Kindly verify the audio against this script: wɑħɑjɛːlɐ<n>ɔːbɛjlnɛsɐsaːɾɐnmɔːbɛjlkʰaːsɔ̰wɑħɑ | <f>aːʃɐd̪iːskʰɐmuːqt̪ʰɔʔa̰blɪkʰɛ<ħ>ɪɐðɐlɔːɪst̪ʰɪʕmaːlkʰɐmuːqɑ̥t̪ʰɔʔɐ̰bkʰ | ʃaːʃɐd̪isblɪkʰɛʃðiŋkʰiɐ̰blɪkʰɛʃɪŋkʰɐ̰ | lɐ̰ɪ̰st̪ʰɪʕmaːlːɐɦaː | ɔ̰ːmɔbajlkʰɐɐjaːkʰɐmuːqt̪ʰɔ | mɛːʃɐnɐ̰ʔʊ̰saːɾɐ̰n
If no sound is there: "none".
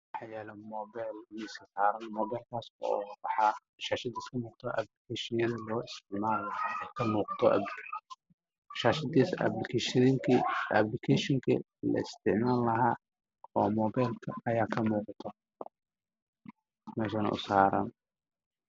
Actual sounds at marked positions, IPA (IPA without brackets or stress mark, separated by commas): m, ʃ, ʃ